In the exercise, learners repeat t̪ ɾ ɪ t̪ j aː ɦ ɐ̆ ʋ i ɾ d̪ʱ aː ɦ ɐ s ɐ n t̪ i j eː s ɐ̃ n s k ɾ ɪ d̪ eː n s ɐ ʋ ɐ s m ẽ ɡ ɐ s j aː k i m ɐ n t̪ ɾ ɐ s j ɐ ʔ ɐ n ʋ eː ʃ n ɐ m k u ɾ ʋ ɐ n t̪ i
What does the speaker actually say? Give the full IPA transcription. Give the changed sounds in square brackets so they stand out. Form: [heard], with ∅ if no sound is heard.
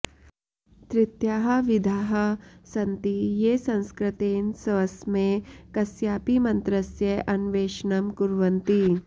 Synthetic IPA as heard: t̪ ɾ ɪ t̪ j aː ɦ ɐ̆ ʋ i [∅] d̪ʱ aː ɦ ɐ s ɐ n t̪ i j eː s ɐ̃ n s k ɾ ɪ [t̪] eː n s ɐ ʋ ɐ s m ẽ [k] ɐ s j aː [p] i m ɐ n t̪ ɾ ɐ s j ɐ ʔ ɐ n ʋ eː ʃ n ɐ m k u ɾ ʋ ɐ n t̪ i